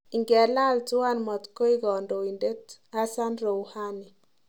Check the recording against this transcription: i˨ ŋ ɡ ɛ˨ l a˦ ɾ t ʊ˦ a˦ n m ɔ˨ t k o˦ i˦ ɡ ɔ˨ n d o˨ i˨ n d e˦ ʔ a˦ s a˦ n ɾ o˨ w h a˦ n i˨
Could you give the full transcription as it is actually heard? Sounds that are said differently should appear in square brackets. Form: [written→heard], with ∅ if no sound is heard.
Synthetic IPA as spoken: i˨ ŋ ɡ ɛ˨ l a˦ [ɾ→l] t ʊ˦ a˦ n m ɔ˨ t k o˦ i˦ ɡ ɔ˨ n d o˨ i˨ n d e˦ [ʔ→t] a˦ s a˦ n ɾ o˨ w h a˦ n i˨